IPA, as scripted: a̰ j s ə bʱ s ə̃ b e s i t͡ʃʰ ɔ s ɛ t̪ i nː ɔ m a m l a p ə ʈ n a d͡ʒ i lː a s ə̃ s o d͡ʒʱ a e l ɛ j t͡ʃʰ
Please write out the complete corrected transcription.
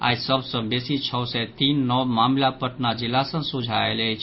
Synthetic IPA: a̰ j s ə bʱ s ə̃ b e s i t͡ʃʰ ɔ s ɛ t̪ i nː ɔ m a m l a p ə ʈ n a d͡ʒ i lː a s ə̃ s u d͡ʒʱ a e l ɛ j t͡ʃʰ